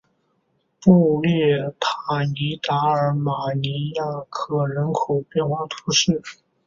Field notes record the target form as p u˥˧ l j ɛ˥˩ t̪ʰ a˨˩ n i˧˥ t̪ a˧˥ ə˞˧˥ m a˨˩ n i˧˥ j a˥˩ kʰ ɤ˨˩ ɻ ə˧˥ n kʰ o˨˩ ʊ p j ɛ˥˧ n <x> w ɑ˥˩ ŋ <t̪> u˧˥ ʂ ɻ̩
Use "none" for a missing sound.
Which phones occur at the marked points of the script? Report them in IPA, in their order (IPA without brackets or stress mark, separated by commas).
x, t̪ʰ